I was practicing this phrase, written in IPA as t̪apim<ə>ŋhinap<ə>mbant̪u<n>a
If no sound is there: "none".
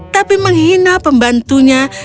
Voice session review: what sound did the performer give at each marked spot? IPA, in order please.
ə, ə, ɲ

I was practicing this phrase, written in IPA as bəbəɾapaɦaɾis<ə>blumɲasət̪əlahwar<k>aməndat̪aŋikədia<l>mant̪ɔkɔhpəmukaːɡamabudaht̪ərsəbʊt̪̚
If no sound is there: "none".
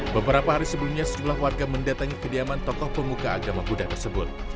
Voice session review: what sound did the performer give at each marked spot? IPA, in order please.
ə, ɡ, none

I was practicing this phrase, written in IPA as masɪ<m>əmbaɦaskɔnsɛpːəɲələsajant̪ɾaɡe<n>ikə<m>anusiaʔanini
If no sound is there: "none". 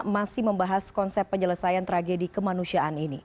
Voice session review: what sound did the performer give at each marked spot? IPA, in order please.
m, d, m

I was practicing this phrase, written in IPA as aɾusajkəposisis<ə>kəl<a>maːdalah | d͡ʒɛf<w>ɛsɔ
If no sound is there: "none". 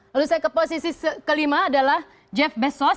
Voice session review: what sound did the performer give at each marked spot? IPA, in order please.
ə, i, b

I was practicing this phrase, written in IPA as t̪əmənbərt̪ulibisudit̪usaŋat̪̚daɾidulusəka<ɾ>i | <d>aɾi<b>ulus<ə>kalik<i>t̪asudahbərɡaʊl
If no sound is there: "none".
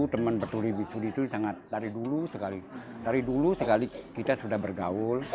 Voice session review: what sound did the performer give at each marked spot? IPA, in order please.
l, d, d, ə, i

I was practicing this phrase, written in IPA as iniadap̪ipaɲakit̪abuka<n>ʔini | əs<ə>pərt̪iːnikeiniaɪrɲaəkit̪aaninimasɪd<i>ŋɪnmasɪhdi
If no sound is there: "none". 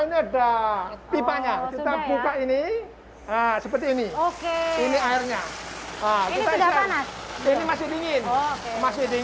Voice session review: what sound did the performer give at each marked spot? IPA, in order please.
none, ə, i

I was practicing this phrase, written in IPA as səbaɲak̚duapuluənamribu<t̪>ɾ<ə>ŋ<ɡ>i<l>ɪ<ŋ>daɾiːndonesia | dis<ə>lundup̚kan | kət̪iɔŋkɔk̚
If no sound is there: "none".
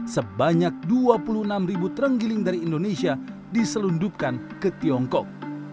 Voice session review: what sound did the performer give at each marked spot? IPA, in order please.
t̪, ə, ɡ, l, ŋ, ə

